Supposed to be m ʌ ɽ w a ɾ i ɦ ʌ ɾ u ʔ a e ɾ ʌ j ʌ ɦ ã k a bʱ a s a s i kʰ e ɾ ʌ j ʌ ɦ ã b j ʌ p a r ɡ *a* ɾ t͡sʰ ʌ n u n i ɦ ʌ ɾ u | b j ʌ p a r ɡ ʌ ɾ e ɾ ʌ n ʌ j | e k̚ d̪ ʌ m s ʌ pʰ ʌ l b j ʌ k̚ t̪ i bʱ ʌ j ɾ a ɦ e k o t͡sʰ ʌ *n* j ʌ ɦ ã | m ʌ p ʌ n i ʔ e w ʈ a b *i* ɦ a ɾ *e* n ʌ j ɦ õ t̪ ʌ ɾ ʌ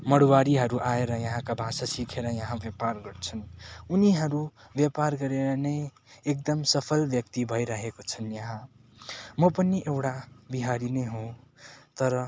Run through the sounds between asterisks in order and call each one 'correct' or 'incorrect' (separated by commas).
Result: incorrect, correct, correct, incorrect